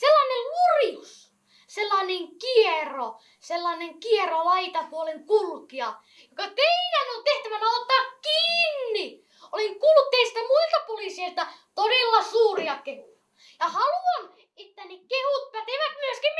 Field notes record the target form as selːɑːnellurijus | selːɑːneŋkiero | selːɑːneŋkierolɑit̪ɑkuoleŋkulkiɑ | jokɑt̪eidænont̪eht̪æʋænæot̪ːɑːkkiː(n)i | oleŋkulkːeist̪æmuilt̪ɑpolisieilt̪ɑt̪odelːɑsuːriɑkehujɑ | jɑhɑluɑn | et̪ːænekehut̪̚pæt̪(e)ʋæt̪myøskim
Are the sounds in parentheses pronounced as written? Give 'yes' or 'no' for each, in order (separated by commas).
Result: no, yes